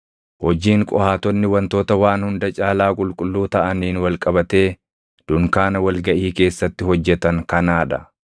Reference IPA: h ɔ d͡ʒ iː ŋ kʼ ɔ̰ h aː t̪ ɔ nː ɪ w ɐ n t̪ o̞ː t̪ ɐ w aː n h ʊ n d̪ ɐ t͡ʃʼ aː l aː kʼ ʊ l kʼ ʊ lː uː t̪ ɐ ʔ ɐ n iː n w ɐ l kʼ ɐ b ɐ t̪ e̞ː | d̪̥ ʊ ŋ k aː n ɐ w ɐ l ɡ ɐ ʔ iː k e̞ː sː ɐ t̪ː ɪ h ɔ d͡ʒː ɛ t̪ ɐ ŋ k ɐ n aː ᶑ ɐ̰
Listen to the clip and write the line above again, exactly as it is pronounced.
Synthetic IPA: h ɔ d͡ʒ iː ŋ kʼ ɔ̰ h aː t̪ ɔ nː ɪ w ɐ n t̪ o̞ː t̪ ɐ w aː n h ʊ n d̪ ɐ t͡ʃʼ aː l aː kʼ ʊ l kʼ ʊ lː uː t̪ ɐ ʔ ɐ n iː n w ɐ l kʼ ɐ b ɐ t̪ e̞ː | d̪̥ ʊ ŋ k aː n ɐ w ɐ l ɡ ɐ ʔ iː k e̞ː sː ɐ t̪ː ɪ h ɔ d͡ʒː ɛ t̪ ɐ ŋ k ɐ n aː ᶑ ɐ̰